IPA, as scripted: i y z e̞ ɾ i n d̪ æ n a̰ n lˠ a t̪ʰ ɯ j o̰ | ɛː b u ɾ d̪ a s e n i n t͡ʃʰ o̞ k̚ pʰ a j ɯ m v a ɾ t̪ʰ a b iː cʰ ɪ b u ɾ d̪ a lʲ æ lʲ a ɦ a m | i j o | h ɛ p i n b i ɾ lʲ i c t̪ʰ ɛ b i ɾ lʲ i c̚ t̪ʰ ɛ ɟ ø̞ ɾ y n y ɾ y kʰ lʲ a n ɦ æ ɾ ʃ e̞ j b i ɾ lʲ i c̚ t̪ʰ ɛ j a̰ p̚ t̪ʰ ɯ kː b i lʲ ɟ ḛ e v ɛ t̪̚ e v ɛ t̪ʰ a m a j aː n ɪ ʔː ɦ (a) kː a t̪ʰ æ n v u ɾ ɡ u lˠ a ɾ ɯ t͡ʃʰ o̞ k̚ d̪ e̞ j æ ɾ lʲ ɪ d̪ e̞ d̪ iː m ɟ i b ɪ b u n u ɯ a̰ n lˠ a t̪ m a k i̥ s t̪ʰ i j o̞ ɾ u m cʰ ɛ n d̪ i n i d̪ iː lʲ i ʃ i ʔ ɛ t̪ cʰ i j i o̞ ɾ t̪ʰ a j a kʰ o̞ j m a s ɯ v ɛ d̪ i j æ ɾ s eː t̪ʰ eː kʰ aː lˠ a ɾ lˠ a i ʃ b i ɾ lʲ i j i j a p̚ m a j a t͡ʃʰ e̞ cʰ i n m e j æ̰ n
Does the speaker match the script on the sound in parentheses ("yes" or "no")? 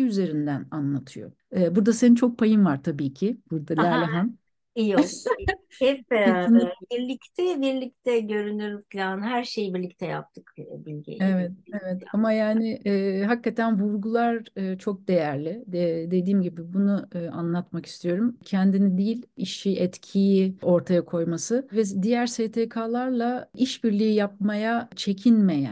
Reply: yes